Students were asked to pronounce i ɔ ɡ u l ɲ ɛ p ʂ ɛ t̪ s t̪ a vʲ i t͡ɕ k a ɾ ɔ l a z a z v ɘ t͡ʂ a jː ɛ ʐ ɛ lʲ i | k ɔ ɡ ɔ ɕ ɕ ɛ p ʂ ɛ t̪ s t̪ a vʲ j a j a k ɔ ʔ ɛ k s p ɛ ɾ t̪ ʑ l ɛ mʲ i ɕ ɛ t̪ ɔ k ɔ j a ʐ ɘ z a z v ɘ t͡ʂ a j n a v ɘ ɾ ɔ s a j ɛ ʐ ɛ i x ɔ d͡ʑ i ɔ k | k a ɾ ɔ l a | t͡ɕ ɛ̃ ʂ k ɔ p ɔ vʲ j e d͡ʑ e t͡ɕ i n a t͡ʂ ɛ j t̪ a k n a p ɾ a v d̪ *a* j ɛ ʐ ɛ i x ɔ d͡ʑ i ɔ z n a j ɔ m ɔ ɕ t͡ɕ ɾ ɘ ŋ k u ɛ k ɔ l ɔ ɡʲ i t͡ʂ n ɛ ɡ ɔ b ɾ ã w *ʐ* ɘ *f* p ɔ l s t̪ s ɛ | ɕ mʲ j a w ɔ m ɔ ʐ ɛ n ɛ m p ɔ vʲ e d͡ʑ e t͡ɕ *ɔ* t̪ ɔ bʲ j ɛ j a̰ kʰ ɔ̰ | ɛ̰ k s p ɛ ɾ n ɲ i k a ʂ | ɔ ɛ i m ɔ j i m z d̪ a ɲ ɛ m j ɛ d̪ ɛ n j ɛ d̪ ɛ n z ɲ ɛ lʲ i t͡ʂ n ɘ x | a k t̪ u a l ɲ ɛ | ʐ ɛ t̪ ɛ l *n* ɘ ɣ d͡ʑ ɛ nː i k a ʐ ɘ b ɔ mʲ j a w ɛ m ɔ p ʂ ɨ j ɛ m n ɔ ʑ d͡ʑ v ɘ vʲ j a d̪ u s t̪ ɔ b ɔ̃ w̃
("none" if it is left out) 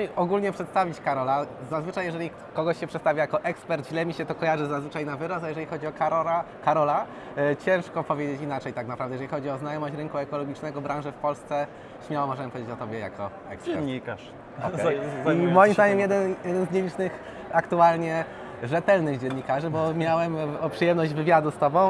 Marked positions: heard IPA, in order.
ɛ, ʐ, f, ɔ, n

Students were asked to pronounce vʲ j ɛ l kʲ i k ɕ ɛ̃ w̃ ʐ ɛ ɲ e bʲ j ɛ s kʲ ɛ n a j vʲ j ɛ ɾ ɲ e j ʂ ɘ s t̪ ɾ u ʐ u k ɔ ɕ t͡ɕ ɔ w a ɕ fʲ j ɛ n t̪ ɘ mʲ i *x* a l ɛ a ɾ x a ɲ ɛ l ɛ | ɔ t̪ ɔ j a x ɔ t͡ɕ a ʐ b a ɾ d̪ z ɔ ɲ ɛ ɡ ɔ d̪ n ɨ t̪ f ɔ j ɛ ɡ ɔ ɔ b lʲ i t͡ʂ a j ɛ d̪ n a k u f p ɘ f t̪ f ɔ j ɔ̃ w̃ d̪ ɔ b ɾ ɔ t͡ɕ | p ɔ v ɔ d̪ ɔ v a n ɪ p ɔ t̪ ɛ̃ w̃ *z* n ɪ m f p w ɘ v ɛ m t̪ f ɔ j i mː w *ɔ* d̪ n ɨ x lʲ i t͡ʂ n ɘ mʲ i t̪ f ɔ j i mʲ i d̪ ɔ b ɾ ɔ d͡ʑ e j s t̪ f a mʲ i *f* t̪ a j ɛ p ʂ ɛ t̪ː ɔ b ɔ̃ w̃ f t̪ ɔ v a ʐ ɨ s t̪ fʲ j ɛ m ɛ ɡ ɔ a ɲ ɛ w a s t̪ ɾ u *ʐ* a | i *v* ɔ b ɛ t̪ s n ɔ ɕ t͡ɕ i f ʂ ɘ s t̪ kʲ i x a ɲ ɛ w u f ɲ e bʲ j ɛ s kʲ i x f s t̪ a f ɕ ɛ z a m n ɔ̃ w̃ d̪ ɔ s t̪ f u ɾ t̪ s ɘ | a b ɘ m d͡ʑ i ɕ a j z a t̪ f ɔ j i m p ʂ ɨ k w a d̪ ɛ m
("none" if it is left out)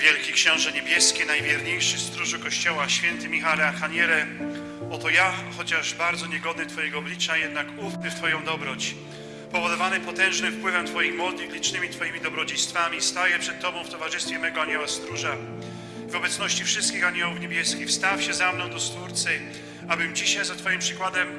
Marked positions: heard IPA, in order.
x, ʐ, ɔ, s, ʐ, v

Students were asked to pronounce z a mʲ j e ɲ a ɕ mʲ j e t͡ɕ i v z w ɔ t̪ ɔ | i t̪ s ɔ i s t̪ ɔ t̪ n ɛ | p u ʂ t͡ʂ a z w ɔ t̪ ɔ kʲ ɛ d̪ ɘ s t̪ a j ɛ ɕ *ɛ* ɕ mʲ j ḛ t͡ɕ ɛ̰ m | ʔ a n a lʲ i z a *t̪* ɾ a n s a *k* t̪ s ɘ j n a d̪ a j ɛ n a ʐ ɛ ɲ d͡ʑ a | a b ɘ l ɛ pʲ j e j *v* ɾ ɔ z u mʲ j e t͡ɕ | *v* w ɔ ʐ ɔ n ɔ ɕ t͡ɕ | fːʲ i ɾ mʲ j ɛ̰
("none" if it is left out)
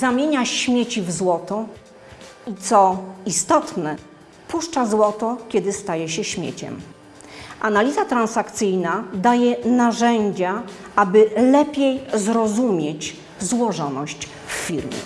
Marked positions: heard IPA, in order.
ɛ, t̪, k, z, z

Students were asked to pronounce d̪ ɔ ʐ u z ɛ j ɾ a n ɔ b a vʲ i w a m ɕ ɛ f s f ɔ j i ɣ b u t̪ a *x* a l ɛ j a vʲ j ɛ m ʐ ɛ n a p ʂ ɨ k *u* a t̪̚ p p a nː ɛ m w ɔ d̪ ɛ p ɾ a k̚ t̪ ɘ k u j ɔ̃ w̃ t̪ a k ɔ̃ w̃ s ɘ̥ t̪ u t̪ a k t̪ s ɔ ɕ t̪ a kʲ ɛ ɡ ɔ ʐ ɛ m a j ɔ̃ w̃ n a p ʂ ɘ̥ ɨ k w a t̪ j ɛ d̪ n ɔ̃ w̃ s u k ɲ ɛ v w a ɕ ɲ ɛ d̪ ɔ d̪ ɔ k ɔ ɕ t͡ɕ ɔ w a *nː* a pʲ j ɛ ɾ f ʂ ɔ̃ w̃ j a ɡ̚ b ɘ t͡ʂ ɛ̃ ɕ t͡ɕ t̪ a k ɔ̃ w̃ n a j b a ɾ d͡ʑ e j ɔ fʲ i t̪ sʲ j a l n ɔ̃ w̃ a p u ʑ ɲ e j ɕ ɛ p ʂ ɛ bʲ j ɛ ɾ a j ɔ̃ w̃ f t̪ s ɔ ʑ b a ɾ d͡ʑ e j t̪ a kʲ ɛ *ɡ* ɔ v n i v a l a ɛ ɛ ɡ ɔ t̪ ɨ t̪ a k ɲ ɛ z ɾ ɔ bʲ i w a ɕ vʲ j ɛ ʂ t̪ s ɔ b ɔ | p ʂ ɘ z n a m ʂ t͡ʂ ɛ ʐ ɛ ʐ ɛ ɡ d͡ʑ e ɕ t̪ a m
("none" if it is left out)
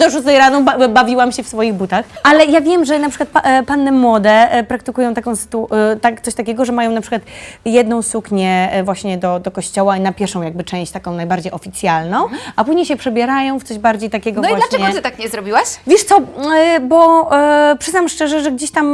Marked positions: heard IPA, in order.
x, w, n, ɡ

